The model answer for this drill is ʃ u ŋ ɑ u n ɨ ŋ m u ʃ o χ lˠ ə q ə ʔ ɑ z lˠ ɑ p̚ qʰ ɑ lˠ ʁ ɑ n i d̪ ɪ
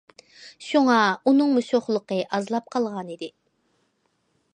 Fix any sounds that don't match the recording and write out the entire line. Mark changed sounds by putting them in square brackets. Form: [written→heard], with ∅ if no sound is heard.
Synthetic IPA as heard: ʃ u ŋ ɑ u n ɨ ŋ m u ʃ o χ lˠ ə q ə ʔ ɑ z lˠ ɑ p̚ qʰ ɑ lˠ ʁ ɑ n i d̪ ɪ